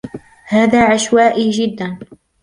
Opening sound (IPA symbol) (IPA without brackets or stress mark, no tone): h